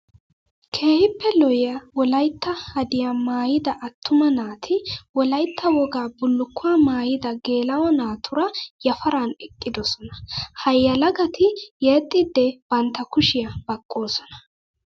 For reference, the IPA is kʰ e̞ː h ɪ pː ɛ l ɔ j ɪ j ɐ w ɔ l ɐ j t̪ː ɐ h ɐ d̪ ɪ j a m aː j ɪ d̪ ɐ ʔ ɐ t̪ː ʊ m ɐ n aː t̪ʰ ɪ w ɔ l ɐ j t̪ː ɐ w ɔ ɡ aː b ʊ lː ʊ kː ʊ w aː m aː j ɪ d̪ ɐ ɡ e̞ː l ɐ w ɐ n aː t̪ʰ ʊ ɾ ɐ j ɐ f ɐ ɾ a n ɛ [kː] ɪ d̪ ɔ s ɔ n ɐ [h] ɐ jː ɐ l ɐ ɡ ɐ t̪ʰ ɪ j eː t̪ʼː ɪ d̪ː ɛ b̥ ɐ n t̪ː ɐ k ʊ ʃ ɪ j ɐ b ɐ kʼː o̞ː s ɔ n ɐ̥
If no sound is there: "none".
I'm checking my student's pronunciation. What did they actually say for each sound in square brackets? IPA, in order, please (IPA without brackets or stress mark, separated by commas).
kʼː, h